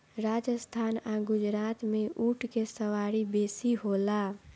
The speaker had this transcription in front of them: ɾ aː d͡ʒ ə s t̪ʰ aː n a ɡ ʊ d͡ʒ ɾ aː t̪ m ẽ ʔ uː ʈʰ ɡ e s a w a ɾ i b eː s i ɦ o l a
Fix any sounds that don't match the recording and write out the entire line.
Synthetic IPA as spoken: ɾ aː d͡ʒ ə s t̪ʰ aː n a ɡ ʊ d͡ʒ ɾ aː t̪ m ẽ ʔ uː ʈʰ k e s ə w a ɾ i b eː s i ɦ o l a